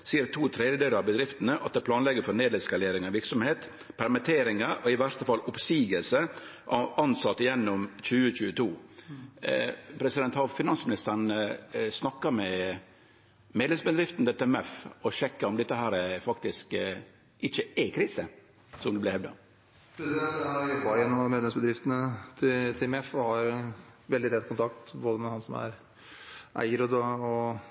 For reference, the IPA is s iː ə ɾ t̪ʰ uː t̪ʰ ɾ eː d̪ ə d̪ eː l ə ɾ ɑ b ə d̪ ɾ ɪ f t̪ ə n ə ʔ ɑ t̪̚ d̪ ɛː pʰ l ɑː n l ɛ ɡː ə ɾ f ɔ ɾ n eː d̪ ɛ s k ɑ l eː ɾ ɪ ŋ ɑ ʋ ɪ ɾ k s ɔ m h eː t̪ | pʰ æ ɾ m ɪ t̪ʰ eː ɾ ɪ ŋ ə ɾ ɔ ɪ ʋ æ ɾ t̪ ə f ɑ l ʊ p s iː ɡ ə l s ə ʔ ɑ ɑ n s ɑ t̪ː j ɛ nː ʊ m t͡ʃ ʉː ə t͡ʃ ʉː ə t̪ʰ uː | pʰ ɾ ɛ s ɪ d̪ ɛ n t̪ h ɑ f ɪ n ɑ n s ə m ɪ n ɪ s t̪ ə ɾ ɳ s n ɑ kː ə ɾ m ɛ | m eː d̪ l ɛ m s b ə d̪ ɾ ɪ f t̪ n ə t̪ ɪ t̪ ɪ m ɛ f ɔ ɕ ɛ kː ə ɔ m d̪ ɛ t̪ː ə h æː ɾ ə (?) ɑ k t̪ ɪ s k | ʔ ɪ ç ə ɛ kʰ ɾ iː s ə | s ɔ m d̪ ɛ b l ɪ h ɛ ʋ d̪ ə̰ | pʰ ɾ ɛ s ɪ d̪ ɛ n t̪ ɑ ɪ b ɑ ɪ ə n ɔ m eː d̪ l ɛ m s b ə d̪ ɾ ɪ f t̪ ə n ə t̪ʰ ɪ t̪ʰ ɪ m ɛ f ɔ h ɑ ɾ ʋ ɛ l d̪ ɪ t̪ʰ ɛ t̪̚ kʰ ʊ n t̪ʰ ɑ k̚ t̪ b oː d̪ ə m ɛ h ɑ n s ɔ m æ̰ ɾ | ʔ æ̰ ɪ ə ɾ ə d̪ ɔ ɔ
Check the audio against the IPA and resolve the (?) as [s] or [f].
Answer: f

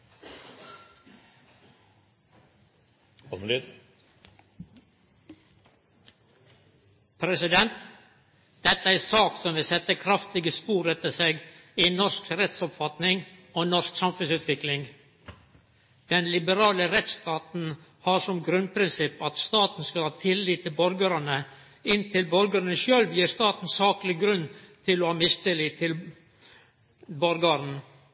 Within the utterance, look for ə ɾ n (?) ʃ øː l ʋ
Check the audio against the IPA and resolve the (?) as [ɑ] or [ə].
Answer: ə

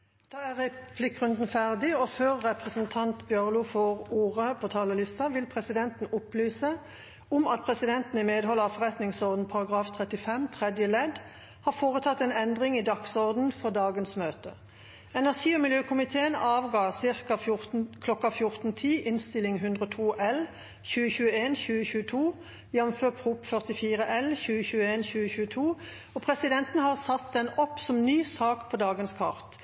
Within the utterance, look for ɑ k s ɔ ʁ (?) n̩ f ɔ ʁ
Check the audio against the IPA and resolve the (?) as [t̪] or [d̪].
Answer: d̪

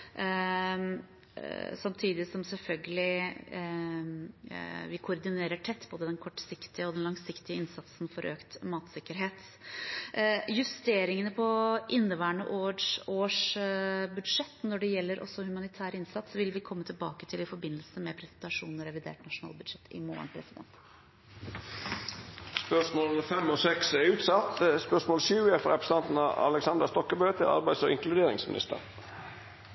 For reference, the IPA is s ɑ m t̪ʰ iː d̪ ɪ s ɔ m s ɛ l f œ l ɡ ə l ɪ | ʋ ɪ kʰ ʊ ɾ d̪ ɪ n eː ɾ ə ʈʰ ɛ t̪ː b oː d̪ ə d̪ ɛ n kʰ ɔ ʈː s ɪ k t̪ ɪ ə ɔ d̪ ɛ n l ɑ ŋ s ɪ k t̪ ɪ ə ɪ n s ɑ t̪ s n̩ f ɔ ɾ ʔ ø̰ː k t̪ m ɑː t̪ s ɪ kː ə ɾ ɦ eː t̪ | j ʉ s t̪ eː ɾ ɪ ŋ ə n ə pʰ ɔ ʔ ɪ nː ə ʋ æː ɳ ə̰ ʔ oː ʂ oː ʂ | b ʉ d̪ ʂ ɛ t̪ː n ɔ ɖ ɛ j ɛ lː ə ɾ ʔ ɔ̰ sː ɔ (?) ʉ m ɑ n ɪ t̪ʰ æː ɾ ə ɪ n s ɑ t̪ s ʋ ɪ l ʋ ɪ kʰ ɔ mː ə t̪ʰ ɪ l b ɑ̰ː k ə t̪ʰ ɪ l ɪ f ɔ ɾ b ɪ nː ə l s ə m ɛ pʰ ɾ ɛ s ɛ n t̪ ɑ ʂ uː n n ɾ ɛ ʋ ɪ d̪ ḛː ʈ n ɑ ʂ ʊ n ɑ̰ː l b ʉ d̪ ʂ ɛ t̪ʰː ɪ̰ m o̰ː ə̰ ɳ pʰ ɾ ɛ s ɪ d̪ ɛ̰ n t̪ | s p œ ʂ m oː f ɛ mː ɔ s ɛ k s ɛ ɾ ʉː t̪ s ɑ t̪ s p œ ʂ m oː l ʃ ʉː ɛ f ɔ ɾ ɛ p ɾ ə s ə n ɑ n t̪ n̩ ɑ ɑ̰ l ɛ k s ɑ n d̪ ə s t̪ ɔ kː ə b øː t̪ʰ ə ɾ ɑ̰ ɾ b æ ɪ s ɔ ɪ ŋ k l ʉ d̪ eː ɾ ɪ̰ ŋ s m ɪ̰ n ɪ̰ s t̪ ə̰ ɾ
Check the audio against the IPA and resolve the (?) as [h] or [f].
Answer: h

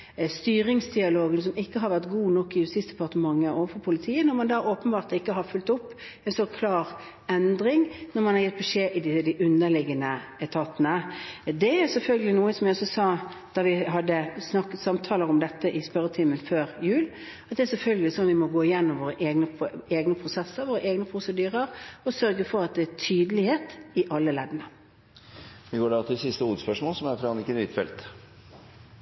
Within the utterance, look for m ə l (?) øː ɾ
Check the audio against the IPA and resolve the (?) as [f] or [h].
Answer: f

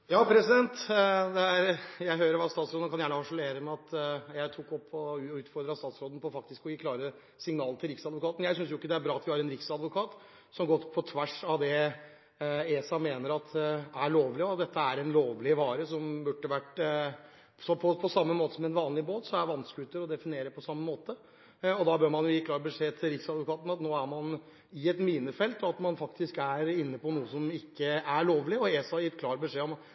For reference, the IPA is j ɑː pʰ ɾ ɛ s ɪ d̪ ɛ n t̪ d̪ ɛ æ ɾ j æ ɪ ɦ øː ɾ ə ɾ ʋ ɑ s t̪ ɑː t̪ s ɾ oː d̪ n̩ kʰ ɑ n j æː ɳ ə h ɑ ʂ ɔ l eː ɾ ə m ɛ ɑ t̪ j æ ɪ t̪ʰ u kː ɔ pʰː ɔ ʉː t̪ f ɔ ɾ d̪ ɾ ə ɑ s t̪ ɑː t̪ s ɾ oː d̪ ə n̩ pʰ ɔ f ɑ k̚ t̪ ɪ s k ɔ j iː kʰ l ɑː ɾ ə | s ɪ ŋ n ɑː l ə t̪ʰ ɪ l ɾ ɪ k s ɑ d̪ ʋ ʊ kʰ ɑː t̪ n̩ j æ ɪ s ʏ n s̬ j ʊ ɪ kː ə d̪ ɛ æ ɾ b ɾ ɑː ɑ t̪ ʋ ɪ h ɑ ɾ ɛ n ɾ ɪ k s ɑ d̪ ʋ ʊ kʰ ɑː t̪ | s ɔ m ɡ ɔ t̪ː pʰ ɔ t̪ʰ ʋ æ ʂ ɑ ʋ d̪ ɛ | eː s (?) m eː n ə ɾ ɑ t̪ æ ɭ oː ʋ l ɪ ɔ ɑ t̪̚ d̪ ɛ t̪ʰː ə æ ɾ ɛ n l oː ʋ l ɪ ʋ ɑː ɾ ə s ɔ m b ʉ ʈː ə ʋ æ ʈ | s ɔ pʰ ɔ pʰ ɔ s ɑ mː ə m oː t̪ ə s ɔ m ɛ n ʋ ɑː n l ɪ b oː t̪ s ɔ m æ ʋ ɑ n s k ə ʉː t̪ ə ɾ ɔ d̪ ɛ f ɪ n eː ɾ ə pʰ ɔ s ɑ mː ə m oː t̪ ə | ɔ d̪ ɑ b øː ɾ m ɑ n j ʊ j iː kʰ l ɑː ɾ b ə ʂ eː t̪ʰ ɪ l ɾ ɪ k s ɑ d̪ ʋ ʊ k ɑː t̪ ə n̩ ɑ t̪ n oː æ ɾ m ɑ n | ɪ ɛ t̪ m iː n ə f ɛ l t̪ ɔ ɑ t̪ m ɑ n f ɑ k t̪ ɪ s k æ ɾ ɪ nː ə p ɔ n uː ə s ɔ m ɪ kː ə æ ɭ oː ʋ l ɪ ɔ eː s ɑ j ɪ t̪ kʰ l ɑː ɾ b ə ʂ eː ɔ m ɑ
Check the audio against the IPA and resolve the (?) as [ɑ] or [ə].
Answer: ɑ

